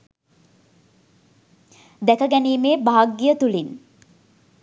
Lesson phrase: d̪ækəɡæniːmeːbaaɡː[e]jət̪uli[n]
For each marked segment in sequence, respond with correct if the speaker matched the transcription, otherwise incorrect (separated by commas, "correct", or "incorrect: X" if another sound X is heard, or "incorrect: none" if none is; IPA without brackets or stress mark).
incorrect: i, correct